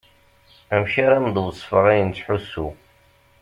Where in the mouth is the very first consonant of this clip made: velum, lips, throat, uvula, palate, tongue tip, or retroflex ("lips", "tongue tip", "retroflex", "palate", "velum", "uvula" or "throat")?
lips